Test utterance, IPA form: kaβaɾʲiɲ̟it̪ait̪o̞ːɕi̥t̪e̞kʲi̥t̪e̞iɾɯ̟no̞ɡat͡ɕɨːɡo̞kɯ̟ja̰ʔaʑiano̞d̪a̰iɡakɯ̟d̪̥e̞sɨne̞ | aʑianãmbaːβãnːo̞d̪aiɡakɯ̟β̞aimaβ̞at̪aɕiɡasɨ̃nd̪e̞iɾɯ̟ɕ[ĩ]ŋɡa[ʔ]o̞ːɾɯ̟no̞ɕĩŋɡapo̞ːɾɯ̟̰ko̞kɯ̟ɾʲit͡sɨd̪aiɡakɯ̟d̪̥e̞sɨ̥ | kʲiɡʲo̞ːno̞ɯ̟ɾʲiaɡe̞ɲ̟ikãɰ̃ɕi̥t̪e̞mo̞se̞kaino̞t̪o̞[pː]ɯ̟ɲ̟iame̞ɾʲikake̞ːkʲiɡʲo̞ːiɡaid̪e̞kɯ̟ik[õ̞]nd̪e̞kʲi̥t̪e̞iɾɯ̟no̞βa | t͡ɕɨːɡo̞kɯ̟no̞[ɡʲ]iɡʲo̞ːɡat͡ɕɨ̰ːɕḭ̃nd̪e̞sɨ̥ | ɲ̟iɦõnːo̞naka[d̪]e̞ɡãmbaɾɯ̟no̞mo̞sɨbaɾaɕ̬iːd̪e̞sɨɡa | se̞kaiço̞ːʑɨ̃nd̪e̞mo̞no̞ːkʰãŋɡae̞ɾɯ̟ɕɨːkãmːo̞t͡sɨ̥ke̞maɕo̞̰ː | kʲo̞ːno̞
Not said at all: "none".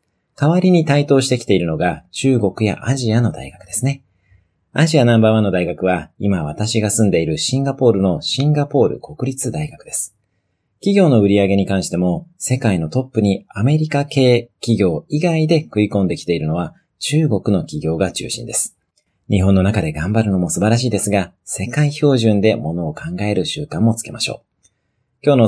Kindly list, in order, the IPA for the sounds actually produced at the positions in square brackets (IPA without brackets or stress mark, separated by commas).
ĩ, p, pː, õ̞, kʲ, d̪